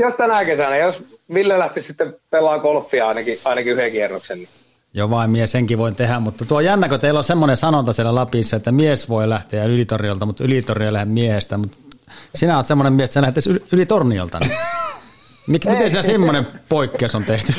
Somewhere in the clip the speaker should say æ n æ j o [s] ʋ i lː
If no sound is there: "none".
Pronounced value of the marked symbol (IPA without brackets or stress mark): s